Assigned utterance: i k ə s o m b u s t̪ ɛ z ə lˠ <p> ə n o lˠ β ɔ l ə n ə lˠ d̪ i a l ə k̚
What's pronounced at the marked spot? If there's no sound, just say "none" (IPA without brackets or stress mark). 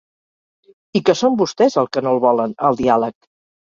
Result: k